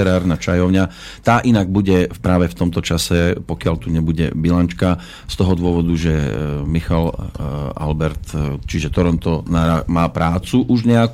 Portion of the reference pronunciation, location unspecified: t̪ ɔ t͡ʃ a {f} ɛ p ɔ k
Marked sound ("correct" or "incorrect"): incorrect